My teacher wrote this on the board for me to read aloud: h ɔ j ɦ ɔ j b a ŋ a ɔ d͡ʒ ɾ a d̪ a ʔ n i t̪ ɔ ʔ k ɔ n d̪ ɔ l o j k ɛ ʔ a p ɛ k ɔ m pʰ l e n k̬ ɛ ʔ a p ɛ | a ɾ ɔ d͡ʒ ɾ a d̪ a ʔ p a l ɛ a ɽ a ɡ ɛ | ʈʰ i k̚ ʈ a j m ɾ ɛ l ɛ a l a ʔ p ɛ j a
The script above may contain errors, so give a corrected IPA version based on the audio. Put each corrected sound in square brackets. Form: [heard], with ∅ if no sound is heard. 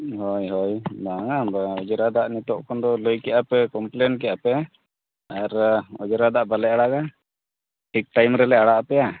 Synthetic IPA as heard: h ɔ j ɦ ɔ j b a ŋ a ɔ d͡ʒ ɾ a d̪ a ʔ n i t̪ ɔ ʔ k ɔ n d̪ ɔ l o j k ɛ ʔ a p ɛ k ɔ m [p] l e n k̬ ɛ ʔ a p ɛ | a ɾ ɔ d͡ʒ ɾ a d̪ a ʔ [b] a l ɛ a ɽ a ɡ [a] | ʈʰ i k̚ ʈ a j m ɾ ɛ l ɛ a [ɽ] a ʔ p ɛ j a

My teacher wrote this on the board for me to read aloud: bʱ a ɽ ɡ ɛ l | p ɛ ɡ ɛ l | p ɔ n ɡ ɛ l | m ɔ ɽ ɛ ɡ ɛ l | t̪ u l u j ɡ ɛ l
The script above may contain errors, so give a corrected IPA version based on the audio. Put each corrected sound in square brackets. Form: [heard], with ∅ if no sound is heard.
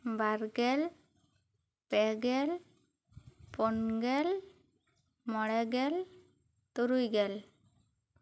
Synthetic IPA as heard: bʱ a [ɾ] ɡ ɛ l | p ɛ ɡ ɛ l | p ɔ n ɡ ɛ l | m ɔ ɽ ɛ ɡ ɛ l | t̪ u [ɾ] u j ɡ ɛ l

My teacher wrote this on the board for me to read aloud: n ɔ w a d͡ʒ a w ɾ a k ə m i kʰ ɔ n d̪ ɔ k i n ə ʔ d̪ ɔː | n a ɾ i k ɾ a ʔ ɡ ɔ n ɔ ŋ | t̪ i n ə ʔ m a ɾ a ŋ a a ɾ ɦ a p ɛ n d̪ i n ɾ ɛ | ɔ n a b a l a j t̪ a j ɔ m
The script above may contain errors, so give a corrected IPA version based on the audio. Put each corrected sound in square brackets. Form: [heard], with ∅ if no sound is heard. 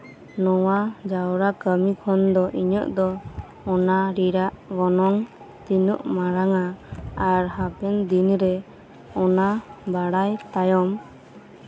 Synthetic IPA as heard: n ɔ w a d͡ʒ a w ɾ a k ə m i kʰ ɔ n d̪ ɔ [ʔ] i [ɲ] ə ʔ d̪ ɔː | n a ɾ i [∅] ɾ a ʔ ɡ ɔ n ɔ ŋ | t̪ i n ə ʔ m a ɾ a ŋ a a ɾ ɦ a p ɛ n d̪ i n ɾ ɛ | ɔ n a b a [ɽ] a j t̪ a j ɔ m

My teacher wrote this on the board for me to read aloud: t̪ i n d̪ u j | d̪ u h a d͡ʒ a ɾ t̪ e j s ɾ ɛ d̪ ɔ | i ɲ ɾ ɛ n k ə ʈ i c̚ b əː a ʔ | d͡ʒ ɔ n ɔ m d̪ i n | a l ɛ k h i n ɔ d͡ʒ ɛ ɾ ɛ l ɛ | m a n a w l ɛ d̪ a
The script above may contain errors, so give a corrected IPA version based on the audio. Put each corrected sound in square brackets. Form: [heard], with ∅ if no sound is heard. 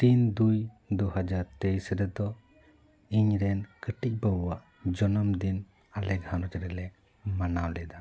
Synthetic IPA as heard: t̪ i n d̪ u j | d̪ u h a d͡ʒ a ɾ t̪ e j s ɾ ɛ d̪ ɔ | i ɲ ɾ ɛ n k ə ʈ i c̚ b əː a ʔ | d͡ʒ ɔ n ɔ m d̪ i n | a l ɛ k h [a] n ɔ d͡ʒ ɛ ɾ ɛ l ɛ | m a n a w l ɛ d̪ a

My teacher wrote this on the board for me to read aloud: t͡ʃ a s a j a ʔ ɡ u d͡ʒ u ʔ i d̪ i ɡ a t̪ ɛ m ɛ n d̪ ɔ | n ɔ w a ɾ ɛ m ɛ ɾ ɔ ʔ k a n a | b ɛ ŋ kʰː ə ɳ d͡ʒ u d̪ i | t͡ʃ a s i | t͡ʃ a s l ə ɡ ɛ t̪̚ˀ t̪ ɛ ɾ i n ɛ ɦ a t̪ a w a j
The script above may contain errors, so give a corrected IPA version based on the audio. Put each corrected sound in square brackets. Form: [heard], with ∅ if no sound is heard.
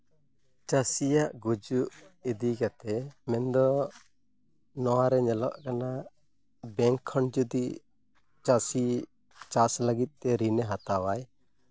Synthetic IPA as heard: t͡ʃ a s [i] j a ʔ ɡ u d͡ʒ u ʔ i d̪ i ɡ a t̪ ɛ m ɛ n d̪ ɔ | n ɔ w a ɾ ɛ [ɲ] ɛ [l] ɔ ʔ k a n a | b ɛ ŋ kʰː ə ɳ d͡ʒ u d̪ i | t͡ʃ a s i | t͡ʃ a s l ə ɡ [i] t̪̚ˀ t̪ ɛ ɾ i n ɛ ɦ a t̪ a w a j

